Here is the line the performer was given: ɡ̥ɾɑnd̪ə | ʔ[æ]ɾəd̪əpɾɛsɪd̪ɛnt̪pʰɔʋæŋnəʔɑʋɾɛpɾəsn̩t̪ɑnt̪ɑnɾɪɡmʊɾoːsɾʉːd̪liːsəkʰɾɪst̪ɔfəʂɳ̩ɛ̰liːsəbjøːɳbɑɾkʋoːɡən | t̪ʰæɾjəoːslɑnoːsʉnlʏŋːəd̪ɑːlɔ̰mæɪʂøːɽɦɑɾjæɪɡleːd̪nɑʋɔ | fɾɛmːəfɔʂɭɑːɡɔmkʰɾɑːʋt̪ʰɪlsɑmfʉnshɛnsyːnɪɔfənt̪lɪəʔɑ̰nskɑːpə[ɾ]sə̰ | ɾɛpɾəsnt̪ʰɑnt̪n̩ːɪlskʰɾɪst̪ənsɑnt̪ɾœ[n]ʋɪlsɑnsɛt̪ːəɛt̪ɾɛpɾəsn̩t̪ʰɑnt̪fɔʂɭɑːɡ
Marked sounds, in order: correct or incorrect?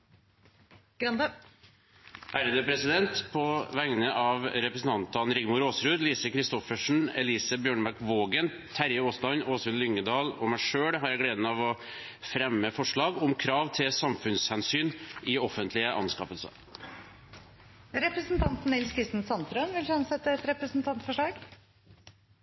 incorrect: æː, incorrect: l, correct

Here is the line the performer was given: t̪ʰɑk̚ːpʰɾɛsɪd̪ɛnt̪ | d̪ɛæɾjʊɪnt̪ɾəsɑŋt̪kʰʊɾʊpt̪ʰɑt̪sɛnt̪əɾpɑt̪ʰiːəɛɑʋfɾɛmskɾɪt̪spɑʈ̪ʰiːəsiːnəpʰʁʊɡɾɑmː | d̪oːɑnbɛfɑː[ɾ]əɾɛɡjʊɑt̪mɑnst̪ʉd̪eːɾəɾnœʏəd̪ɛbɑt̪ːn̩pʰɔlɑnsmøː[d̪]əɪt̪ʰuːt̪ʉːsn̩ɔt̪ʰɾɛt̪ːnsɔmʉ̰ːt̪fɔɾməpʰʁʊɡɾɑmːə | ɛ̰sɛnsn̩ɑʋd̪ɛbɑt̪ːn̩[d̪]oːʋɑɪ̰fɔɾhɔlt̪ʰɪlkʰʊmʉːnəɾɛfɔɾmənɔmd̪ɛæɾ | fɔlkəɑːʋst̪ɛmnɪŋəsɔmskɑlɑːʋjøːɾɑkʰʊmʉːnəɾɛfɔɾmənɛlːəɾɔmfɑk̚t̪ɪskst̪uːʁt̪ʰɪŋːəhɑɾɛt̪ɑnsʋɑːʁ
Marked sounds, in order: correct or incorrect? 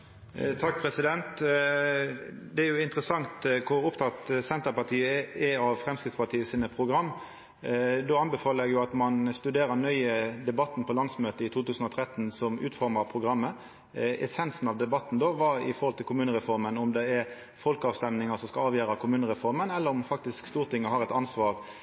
incorrect: l, incorrect: t̪, correct

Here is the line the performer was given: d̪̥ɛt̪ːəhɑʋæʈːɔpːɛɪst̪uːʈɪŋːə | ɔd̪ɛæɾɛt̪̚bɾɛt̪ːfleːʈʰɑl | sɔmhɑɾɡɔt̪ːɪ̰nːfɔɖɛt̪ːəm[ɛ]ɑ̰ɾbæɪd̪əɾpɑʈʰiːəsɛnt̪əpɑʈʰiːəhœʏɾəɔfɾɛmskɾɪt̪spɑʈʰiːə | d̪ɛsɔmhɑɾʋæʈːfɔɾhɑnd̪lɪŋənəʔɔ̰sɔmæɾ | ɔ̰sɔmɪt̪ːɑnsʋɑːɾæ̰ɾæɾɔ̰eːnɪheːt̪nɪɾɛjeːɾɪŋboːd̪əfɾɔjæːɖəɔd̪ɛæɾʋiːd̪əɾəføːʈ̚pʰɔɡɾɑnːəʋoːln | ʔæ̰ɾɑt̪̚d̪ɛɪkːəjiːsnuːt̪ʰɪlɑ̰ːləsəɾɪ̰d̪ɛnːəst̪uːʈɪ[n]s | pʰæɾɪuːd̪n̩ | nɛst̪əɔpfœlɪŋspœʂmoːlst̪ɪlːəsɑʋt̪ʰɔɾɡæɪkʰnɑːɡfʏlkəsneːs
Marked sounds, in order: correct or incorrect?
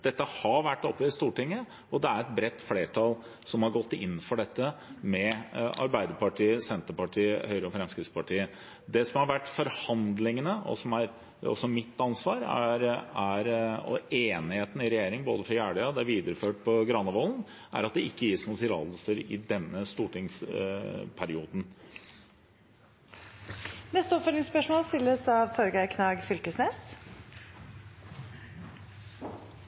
correct, incorrect: ŋ

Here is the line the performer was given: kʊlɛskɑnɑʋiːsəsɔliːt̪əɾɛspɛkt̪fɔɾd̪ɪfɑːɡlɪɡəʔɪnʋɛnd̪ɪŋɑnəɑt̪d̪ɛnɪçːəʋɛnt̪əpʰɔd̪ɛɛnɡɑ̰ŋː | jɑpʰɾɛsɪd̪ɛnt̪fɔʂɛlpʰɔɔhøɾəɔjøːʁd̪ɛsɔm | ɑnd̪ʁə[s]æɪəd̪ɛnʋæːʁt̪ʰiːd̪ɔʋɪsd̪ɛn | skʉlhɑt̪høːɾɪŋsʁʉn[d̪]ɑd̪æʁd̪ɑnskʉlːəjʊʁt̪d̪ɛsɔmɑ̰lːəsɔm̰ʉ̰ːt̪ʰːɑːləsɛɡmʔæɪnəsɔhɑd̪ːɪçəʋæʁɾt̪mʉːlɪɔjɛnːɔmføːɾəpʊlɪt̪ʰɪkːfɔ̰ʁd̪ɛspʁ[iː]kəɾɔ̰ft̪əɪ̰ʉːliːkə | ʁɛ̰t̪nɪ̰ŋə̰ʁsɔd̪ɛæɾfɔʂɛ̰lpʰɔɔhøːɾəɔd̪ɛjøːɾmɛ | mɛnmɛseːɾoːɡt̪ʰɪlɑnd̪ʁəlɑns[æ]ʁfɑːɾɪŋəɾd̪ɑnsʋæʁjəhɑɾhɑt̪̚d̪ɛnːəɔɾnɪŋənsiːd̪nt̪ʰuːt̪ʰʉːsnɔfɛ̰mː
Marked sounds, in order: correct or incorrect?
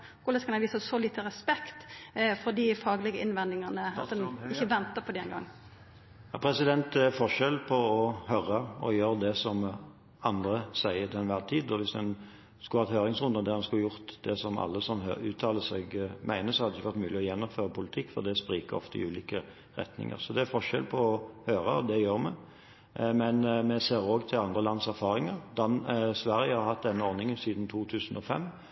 correct, correct, correct, correct

